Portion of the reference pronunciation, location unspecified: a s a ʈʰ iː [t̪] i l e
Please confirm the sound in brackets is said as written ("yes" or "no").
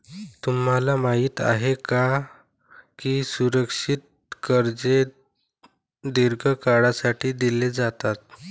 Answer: no